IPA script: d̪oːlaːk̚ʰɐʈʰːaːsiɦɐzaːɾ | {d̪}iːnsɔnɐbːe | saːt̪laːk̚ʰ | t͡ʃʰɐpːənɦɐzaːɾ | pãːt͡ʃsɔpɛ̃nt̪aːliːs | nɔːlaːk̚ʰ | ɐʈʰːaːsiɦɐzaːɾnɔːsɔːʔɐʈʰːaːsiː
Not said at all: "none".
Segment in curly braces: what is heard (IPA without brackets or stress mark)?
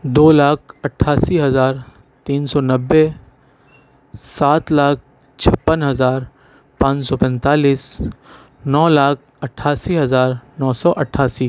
t̪